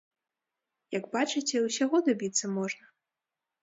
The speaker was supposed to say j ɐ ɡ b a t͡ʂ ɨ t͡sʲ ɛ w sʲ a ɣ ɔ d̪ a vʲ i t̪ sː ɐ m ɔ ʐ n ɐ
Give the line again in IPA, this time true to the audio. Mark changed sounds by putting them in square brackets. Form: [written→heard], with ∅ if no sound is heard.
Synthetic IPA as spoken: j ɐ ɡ b a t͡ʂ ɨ t͡sʲ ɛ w sʲ a ɣ ɔ d̪ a [vʲ→bʲ] i t̪ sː ɐ m ɔ ʐ n ɐ